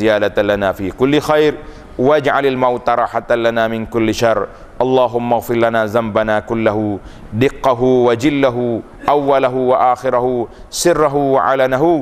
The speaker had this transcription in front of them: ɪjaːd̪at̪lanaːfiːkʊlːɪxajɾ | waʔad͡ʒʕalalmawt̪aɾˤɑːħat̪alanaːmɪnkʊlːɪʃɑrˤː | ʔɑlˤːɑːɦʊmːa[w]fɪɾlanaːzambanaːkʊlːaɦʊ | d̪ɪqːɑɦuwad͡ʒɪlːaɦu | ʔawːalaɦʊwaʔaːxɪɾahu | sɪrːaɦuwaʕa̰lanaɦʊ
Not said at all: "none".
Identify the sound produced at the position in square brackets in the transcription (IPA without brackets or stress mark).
ɣ